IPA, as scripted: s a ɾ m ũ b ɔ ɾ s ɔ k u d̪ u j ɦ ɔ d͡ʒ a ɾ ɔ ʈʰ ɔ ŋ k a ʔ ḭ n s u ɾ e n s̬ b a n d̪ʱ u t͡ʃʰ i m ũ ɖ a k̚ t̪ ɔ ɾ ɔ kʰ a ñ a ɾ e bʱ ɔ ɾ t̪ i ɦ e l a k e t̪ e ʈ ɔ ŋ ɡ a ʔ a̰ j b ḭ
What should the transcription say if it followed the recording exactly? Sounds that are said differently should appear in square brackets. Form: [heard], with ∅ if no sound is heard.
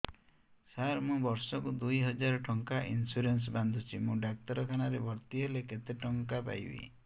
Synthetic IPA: s a ɾ m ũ b ɔ ɾ s ɔ k u d̪ u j ɦ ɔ d͡ʒ a ɾ ɔ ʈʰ ɔ ŋ k a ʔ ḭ n s u ɾ e n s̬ b a n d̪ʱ u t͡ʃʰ i m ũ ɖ a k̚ t̪ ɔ ɾ ɔ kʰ a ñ a ɾ e bʱ ɔ ɾ t̪ i ɦ e l [e] k e t̪ e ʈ ɔ ŋ [k] a [p] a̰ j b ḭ